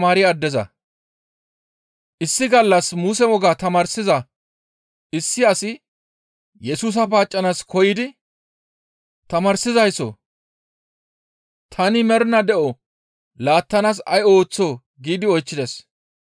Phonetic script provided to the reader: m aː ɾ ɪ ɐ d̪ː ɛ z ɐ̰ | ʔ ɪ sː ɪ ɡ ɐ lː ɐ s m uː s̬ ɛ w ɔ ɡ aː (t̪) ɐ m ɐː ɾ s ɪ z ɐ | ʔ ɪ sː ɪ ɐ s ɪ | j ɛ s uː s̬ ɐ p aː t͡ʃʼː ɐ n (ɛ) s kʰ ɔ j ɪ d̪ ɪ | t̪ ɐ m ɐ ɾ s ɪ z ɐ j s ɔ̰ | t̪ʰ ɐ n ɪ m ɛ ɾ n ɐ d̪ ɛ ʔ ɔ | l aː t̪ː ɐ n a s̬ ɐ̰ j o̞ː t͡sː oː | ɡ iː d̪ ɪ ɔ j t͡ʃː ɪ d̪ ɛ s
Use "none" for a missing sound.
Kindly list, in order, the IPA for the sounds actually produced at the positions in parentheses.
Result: t̪, a

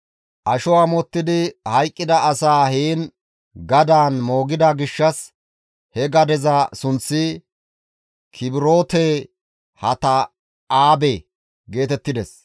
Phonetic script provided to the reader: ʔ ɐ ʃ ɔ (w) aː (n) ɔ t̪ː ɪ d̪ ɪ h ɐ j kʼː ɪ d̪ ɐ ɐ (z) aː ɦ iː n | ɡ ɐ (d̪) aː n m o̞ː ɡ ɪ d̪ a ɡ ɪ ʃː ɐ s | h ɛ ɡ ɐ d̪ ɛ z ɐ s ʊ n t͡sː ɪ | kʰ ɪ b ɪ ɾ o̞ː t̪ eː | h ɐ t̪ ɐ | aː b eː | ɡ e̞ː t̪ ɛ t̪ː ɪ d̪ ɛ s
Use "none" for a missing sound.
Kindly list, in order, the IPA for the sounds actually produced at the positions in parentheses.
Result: w, m, s, d̪

